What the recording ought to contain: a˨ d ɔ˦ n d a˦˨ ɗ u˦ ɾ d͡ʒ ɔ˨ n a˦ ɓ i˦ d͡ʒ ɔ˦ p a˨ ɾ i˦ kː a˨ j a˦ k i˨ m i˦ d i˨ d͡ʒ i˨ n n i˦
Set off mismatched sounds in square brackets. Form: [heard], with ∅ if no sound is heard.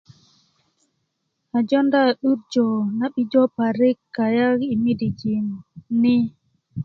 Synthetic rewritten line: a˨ [d͡ʒ] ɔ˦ n d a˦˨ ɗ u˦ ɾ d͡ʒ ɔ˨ n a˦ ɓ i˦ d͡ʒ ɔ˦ p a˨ ɾ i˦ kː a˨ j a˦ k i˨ m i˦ d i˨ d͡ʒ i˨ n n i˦

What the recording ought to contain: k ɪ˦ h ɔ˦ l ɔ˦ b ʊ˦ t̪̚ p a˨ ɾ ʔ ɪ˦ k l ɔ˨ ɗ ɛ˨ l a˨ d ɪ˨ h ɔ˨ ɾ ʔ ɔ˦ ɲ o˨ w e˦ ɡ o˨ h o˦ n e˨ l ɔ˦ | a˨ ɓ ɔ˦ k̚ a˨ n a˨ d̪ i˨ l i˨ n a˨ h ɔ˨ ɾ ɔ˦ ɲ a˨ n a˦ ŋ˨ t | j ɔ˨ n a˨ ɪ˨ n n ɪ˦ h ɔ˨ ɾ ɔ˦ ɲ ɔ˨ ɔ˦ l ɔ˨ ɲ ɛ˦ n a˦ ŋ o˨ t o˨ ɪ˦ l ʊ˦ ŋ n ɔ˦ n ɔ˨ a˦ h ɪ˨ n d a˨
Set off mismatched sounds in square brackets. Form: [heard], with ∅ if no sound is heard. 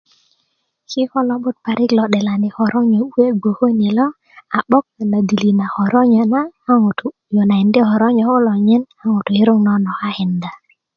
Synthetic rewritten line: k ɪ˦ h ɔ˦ l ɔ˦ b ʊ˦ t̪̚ p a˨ ɾ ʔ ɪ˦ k l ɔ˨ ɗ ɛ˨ l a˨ [n] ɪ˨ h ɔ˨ ɾ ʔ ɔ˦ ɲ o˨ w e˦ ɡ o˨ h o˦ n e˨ l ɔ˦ | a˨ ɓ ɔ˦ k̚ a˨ n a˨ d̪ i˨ l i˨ n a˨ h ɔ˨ ɾ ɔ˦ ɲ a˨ n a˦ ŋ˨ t | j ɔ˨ n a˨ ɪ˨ n [d] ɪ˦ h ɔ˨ ɾ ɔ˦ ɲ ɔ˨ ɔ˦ l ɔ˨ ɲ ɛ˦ n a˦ ŋ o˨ t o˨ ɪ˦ [ɾ] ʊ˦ ŋ n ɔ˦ n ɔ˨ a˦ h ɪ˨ n d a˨

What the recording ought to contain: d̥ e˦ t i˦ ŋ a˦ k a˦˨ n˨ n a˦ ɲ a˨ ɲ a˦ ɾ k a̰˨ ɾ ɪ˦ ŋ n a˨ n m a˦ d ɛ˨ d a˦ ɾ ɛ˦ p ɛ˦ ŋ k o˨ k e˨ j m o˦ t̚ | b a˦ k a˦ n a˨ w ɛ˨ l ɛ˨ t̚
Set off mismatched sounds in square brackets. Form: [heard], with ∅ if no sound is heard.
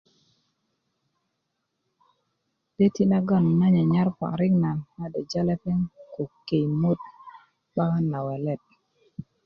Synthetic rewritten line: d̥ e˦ t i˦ [n] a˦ [ɡ] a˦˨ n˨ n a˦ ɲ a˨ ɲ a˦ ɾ [p] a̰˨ ɾ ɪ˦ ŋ n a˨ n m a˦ d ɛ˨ [d͡ʒ] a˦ [l] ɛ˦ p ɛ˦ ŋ k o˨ k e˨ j m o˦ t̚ | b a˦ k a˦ n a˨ w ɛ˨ l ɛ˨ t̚

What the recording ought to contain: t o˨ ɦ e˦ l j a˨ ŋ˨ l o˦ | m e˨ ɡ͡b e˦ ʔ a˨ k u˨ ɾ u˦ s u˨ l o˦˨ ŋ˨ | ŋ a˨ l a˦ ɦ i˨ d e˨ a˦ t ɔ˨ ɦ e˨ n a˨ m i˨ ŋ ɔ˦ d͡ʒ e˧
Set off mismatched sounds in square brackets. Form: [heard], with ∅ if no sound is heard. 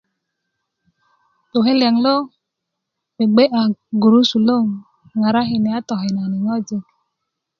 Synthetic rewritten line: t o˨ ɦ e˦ l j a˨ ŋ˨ l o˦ | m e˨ ɡ͡b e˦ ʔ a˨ [ɡ] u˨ ɾ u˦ s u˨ l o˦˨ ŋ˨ | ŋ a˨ [ɾ] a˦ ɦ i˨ [n] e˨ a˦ t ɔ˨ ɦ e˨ n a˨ [n] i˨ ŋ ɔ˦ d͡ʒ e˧

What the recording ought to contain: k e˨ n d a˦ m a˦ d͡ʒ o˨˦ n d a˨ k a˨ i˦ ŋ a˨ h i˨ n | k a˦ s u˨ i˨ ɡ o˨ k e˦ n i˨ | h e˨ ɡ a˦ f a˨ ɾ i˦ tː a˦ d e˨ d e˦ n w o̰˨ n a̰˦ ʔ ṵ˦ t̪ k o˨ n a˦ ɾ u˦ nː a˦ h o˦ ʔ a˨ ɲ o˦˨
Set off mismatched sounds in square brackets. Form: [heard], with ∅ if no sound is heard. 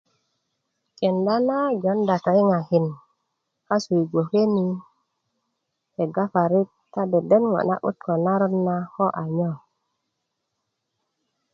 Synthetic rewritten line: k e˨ n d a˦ [n] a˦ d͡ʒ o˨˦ n d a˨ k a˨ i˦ ŋ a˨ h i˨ n | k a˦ s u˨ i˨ ɡ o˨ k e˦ n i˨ | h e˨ ɡ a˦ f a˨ ɾ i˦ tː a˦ d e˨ d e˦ n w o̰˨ n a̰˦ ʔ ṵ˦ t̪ k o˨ n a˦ ɾ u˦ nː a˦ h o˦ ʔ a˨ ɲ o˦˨

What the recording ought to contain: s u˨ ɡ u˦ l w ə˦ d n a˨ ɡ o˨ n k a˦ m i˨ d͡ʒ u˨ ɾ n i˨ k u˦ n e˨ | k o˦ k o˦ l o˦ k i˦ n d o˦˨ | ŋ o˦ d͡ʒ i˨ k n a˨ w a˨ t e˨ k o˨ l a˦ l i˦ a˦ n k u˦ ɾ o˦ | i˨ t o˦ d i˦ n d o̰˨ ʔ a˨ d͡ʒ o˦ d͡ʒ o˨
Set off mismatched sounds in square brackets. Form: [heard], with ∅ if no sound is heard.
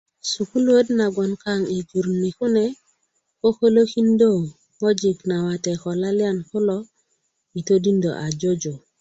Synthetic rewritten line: s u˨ [k] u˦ l w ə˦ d n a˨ ɡ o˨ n k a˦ [ŋ] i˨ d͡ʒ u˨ ɾ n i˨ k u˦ n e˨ | k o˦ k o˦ l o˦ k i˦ n d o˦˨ | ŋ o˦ d͡ʒ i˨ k n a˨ w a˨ t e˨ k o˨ l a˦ l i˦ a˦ n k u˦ [l] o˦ | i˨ t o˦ d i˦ n d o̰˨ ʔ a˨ d͡ʒ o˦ d͡ʒ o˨

